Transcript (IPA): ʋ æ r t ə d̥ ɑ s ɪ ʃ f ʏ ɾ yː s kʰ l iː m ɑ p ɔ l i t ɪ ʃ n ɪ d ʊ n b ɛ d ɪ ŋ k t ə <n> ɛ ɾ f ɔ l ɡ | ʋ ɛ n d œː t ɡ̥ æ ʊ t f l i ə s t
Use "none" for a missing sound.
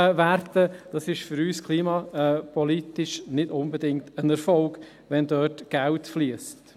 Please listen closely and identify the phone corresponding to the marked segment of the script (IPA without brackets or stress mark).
n